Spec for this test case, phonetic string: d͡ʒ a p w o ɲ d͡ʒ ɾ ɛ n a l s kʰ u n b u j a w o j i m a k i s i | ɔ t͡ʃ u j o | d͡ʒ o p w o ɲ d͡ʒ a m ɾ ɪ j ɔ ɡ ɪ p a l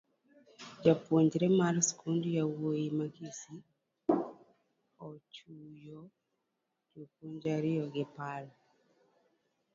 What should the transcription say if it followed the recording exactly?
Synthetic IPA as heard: d͡ʒ a p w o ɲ d͡ʒ ɾ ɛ m a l s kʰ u n d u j a w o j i m a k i s i | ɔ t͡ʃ u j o | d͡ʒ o p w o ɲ d͡ʒ a ɾ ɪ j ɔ ɡ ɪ p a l